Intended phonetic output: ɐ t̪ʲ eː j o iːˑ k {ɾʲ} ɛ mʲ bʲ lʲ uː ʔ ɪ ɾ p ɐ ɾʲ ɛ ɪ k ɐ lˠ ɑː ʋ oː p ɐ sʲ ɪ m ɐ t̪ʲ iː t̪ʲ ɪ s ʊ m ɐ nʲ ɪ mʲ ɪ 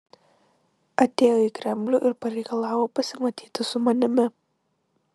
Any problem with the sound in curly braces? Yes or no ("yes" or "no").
no